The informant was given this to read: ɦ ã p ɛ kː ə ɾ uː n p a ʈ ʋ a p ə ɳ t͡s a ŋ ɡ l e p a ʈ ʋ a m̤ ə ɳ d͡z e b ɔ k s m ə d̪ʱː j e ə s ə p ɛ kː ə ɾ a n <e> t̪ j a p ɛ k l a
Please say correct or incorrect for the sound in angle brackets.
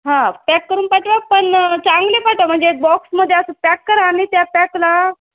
incorrect